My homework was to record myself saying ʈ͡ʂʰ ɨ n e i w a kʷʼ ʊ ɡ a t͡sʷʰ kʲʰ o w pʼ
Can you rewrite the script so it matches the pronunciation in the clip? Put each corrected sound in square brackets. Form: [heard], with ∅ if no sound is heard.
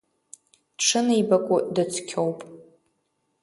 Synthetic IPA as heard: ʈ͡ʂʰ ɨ n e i [b] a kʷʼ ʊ [d] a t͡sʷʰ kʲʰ o w pʼ